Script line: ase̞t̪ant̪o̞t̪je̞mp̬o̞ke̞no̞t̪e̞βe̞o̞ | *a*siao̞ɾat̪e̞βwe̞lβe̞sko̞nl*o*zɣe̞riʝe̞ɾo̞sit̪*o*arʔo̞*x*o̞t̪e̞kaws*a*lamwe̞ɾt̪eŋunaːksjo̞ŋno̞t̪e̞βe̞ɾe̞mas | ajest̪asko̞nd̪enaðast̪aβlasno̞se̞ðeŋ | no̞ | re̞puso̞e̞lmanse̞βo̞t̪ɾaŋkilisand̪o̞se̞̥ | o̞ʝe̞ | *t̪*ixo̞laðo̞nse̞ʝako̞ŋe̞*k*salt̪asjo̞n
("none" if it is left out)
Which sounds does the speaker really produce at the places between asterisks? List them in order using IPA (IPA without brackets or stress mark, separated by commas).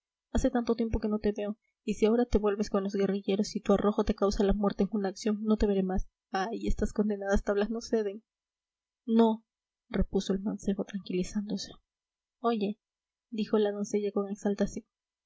i, o, u, x, a, d̪, k